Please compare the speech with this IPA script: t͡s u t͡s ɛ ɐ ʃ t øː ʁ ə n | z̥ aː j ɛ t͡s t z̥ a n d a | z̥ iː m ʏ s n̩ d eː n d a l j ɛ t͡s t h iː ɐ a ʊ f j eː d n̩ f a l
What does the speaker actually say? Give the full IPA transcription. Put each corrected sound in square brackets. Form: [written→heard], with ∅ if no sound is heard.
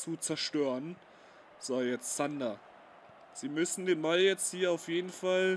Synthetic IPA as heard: t͡s u t͡s ɛ ɐ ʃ t øː ʁ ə n | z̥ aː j ɛ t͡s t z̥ a n d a | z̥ iː m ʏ s n̩ d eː n [d→b] a l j ɛ t͡s t h iː ɐ a ʊ f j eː d n̩ f a l